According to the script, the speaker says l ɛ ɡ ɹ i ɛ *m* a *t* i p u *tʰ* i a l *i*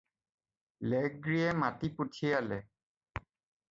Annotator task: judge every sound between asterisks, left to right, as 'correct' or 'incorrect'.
correct, correct, correct, incorrect: ɛ

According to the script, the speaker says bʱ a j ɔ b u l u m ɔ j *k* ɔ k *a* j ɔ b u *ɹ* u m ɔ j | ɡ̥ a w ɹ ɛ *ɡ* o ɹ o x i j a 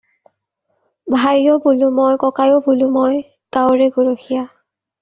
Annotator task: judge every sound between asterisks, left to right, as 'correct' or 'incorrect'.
correct, correct, incorrect: l, correct

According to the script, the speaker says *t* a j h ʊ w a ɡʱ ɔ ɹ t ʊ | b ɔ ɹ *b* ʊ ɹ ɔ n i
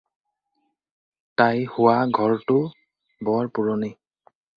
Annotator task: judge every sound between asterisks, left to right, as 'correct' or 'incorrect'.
correct, incorrect: p

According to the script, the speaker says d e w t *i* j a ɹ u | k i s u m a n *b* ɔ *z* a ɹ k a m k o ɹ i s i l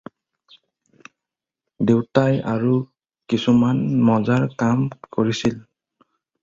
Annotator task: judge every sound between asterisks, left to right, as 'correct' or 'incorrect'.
incorrect: a, incorrect: m, correct

